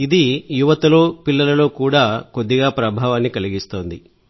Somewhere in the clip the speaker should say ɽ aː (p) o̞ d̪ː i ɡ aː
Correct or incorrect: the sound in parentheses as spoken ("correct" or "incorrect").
incorrect